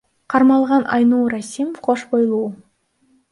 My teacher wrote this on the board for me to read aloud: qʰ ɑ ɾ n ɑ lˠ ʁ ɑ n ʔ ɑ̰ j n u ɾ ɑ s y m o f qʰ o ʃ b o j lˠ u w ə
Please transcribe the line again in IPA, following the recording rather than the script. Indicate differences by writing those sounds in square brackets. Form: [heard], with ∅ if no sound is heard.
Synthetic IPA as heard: qʰ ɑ ɾ [m] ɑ lˠ ʁ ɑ n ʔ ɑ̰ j n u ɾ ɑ s [i] m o f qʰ o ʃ b o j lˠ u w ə